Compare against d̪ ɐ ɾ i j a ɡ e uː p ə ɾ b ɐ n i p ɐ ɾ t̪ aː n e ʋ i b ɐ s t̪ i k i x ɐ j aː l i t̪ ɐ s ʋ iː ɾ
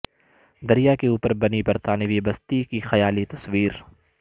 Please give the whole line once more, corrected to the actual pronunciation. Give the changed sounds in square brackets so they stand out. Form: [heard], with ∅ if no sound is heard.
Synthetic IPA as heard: d̪ ɐ ɾ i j a [k] e uː p ə ɾ b ɐ n i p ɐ ɾ t̪ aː n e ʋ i b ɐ s t̪ i k i x ɐ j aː l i t̪ ɐ s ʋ iː ɾ